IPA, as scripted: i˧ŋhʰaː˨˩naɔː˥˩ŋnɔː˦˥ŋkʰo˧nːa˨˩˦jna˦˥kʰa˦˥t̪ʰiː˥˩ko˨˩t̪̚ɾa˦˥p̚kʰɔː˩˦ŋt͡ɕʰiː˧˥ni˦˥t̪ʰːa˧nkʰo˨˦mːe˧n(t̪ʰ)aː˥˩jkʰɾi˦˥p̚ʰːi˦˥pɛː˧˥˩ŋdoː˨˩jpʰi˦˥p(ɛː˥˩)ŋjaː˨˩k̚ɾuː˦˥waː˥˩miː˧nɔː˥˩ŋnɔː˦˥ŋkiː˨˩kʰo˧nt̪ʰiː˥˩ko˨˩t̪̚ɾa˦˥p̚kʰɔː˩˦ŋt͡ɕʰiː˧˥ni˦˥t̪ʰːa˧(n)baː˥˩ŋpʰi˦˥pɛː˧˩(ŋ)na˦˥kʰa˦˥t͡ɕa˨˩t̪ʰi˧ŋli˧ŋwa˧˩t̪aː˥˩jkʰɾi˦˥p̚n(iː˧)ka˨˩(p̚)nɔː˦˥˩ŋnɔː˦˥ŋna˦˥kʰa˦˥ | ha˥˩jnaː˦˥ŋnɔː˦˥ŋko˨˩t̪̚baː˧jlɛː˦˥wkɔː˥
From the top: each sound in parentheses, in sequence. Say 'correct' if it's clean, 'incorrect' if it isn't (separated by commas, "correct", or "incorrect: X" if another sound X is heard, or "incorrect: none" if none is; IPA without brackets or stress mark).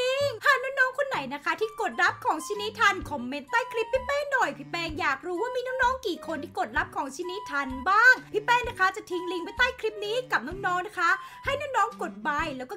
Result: incorrect: t̪, incorrect: ɛː˧, correct, correct, incorrect: iː˦˥, correct